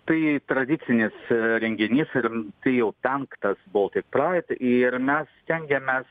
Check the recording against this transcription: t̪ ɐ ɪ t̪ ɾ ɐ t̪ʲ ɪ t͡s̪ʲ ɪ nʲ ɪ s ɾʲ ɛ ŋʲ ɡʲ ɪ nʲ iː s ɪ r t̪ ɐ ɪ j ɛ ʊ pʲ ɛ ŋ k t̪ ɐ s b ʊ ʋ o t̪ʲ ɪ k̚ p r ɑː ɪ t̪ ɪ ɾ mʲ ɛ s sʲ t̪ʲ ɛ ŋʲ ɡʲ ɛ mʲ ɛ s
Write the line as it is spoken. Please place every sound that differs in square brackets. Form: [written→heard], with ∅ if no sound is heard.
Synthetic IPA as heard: t̪ ɐ ɪ t̪ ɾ ɐ [t̪ʲ→d̪ʲ] ɪ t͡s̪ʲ ɪ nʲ ɪ s ɾʲ ɛ ŋʲ ɡʲ ɪ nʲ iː s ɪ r t̪ ɐ ɪ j ɛ ʊ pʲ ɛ ŋ k t̪ ɐ s b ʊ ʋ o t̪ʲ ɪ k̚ p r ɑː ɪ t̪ ɪ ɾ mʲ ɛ s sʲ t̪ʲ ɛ ŋʲ ɡʲ ɛ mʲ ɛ s